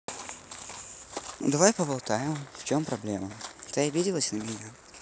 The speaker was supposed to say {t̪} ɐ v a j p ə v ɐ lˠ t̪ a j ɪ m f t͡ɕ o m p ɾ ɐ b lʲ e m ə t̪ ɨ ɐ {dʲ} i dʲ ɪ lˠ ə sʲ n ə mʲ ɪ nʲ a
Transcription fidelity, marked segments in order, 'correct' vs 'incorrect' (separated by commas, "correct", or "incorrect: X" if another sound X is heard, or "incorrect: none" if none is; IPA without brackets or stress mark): incorrect: d̪, incorrect: bʲ